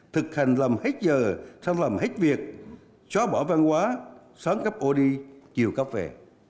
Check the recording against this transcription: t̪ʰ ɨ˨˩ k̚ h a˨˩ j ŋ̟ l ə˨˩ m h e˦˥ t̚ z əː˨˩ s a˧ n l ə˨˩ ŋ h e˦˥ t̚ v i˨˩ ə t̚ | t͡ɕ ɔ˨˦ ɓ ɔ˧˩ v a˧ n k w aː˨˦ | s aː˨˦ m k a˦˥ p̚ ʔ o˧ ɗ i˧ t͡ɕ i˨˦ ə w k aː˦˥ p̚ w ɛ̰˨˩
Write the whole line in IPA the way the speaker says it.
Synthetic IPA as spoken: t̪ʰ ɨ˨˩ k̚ h a˨˩ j ŋ̟ l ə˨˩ m h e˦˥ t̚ z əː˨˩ s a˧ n l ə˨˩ m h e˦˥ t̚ v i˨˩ ə k̚ | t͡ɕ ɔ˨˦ ɓ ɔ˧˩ v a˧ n k w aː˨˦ | s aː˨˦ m k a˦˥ p̚ ʔ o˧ ɗ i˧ t͡ɕ i˨˩ ə w k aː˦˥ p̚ v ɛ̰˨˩